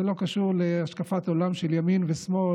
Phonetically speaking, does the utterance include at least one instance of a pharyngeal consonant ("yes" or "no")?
no